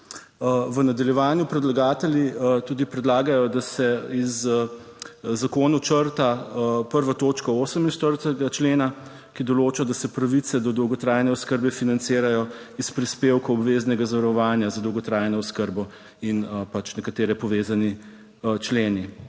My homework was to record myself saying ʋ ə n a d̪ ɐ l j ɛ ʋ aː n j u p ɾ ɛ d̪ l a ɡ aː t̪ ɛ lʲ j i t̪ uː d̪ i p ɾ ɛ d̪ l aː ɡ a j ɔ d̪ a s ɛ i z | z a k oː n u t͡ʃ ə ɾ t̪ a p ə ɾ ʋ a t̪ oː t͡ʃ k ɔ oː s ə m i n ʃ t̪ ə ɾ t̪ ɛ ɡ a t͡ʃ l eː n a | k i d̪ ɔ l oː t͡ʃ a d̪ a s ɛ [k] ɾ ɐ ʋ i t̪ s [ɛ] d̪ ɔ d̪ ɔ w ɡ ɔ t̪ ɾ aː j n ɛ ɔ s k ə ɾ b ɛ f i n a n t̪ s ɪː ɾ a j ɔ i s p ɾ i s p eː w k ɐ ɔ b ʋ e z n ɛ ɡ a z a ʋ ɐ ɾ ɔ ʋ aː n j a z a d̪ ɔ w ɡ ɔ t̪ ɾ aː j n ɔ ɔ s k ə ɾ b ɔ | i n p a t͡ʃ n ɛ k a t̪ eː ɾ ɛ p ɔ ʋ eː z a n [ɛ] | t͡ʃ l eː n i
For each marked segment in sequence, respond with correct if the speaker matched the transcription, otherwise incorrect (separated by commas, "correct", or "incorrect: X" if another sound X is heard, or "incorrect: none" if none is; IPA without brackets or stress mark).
incorrect: p, correct, incorrect: i